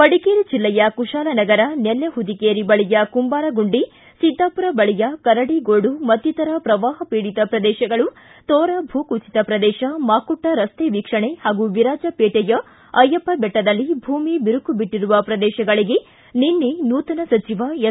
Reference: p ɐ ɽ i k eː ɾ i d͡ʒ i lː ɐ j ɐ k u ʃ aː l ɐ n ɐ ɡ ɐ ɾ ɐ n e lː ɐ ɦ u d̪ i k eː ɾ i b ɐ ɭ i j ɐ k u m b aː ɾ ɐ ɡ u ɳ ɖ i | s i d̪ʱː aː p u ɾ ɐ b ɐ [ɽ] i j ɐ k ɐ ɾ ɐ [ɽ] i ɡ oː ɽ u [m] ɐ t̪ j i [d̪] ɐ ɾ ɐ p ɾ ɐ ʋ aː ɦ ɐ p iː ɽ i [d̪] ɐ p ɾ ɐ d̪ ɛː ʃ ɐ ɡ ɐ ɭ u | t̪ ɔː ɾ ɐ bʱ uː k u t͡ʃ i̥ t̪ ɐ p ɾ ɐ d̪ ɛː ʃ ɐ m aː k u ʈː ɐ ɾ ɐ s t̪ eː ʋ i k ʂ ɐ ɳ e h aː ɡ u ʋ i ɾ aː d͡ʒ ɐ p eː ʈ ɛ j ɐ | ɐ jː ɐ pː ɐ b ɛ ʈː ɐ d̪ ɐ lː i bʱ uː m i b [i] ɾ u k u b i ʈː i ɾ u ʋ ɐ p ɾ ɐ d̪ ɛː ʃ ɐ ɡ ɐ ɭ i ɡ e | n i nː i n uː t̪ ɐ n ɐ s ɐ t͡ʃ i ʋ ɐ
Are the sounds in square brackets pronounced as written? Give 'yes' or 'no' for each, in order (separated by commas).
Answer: no, yes, yes, no, no, yes